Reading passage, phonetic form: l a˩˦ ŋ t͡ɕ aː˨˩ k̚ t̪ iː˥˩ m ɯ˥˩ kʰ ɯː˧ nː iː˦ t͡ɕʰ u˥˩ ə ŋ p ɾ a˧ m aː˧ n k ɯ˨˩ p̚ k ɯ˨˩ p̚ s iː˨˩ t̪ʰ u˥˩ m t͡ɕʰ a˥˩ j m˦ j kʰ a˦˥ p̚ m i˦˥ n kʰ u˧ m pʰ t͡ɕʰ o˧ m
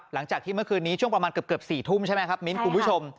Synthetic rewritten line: l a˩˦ ŋ t͡ɕ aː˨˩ k̚ t̪ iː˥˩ m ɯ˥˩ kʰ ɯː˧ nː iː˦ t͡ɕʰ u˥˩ ə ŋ p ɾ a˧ m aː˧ n k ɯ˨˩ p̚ k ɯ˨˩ p̚ s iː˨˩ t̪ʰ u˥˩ m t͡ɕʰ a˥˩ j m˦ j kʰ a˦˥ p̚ m i˦˥ n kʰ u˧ n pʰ t͡ɕʰ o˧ m